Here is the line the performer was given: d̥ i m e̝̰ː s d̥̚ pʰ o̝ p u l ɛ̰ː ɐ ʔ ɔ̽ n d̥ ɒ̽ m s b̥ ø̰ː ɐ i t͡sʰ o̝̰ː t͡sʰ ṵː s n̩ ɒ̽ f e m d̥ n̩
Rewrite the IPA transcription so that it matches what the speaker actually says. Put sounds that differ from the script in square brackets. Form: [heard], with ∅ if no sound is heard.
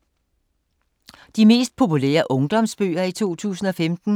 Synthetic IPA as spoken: d̥ i m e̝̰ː s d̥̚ pʰ o̝ p u l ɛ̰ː ɐ ʔ ɔ̽ [ŋ] d̥ ɒ̽ m s b̥ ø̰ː ɐ i t͡sʰ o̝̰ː t͡sʰ ṵː s n̩ ɒ̽ f e m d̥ n̩

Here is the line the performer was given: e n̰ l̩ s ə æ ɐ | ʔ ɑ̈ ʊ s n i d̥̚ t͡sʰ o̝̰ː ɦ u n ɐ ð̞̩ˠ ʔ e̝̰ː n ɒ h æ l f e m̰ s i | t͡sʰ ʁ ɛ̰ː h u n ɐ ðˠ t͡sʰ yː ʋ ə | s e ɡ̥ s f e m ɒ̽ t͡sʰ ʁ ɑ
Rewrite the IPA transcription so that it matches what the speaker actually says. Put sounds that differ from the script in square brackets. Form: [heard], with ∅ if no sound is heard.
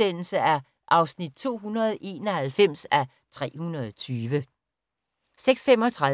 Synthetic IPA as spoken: e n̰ l̩ s ə æ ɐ | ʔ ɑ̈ ʊ s n i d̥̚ t͡sʰ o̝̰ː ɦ u n ɐ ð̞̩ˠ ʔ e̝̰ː n ɒ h æ l f e m̰ s [æ] | t͡sʰ ʁ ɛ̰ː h u n ɐ ðˠ t͡sʰ yː ʋ ə | s e ɡ̥ s f e m ɒ̽ t͡sʰ ʁ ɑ

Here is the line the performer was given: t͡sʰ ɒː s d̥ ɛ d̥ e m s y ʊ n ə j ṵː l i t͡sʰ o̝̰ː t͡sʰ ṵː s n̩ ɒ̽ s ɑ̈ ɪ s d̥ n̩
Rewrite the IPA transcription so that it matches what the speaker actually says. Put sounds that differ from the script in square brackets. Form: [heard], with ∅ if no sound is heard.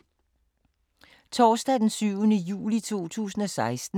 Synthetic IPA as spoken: t͡sʰ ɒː s d̥ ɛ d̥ e [n] s y ʊ n ə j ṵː l i t͡sʰ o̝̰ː t͡sʰ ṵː s n̩ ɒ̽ s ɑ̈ ɪ s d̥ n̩

